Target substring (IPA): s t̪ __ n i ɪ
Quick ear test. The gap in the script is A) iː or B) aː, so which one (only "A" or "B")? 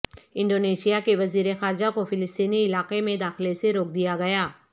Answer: A